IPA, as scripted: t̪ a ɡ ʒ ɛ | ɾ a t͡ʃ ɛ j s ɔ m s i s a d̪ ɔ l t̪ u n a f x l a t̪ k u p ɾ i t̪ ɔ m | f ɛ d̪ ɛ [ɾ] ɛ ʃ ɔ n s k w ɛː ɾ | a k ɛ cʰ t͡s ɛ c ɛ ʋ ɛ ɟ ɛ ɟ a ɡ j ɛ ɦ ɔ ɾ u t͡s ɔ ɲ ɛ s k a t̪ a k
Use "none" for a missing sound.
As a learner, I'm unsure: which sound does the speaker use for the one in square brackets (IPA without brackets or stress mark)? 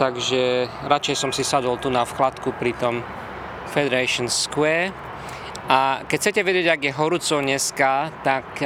ɾ